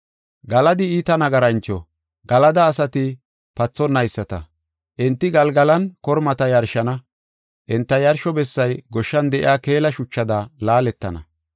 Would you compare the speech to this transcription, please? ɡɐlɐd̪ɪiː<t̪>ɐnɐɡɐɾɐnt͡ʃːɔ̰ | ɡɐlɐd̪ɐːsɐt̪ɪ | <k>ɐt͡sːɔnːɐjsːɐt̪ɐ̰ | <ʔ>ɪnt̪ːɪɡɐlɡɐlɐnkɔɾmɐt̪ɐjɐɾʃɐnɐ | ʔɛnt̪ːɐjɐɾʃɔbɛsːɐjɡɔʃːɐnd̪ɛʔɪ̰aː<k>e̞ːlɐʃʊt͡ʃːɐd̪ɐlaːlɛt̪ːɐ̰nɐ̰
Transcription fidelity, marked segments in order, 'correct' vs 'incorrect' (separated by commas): correct, incorrect, correct, correct